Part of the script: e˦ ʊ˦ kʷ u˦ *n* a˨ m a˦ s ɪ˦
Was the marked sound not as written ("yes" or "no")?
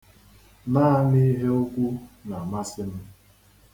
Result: no